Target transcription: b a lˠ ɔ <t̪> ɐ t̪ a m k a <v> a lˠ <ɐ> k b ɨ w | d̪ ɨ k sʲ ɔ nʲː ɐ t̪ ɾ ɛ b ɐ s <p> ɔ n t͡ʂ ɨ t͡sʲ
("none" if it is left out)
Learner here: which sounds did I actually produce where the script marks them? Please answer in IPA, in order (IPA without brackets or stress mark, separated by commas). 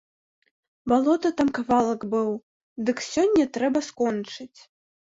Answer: t̪, v, ɐ, k